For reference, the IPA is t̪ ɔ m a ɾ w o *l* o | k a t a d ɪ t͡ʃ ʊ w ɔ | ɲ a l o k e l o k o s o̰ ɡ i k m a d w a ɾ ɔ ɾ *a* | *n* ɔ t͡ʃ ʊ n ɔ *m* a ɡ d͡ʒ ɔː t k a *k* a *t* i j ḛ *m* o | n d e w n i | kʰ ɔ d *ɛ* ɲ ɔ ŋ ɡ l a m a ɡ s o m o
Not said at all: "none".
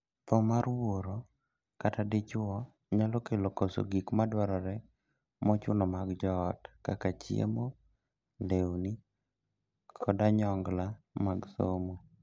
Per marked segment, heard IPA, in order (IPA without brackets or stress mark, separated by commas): ɾ, ɛ, m, m, k, t͡ʃ, m, a